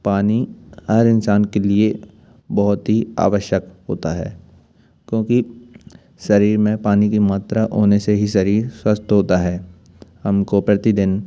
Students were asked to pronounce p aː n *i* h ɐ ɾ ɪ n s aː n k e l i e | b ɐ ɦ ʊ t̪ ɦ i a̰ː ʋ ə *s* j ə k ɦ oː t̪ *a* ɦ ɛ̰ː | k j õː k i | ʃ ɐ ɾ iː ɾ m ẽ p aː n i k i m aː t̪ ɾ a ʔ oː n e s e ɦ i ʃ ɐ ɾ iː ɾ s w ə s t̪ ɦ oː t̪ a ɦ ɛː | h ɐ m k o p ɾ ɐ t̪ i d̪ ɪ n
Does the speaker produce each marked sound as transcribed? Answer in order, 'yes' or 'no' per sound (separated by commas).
yes, no, yes